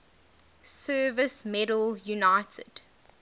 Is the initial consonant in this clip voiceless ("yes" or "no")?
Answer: yes